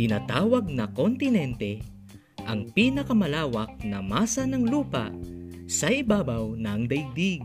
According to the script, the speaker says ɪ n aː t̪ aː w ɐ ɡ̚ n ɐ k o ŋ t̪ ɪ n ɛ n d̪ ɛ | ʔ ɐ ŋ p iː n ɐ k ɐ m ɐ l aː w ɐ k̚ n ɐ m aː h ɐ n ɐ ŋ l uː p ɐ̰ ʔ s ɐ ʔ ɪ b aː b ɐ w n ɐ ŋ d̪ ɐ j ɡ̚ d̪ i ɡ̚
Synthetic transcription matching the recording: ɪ n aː t̪ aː w ɐ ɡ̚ n ɐ k o n t̪ ɪ n ɛ n t̪ ɛ | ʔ ɐ ŋ p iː n ɐ k ɐ m ɐ l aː w ɐ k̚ n ɐ m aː s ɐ n ɐ ŋ l uː p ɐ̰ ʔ s ɐ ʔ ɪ b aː b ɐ w n ɐ ŋ d̪ ɐ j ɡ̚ d̪ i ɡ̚